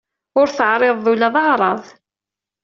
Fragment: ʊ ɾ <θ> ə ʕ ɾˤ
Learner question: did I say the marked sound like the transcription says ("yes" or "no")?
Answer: yes